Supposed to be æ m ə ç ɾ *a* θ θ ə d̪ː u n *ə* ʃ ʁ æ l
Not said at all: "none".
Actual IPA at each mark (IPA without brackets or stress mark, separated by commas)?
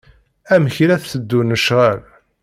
æ, ə